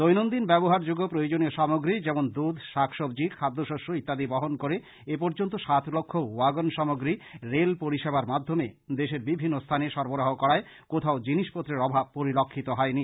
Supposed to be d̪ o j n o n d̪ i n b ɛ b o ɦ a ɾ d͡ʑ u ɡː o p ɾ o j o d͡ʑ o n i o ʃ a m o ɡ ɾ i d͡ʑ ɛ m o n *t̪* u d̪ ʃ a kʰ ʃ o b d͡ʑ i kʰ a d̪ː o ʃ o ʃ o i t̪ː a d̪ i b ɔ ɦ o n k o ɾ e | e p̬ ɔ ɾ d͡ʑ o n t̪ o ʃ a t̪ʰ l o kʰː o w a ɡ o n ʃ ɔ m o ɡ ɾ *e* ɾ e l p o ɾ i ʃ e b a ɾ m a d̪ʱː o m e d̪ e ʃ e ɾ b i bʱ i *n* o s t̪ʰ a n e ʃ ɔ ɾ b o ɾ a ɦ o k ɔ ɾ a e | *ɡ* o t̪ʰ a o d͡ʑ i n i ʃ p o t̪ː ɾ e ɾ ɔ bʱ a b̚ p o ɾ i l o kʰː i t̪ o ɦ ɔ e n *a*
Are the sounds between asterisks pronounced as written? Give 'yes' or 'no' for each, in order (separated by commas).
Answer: no, no, no, no, no